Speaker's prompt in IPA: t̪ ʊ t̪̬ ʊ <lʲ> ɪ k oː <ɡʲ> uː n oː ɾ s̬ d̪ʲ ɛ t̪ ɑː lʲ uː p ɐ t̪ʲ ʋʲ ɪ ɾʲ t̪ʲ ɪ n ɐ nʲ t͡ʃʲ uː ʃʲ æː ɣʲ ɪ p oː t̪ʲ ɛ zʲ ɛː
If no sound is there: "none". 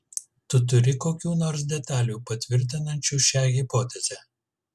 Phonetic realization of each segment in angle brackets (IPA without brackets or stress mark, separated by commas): ɾʲ, kʲ